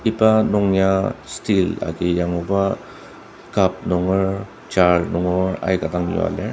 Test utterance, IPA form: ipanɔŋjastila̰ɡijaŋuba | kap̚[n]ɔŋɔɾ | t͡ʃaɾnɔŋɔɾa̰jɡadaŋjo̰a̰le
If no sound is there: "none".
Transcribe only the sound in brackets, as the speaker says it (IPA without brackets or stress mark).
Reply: n